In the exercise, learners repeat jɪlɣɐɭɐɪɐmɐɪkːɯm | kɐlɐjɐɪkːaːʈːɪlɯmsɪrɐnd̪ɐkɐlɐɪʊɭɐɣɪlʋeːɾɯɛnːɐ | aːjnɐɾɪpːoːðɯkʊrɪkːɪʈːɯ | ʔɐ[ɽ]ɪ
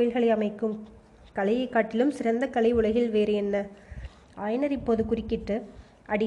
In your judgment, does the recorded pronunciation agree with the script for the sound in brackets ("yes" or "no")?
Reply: yes